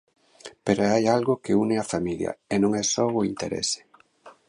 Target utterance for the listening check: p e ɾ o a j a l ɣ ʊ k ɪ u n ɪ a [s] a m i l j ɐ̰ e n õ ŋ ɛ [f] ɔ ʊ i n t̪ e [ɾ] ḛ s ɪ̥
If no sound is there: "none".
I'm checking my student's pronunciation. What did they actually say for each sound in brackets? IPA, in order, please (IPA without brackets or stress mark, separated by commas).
f, s, ɾ